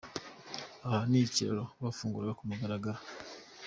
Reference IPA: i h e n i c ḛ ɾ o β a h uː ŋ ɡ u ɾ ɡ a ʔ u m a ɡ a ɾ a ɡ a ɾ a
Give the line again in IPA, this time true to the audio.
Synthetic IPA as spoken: a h a n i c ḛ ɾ o β a f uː ŋ ɡ u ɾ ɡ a k u m a ɡ a ɾ a ɡ a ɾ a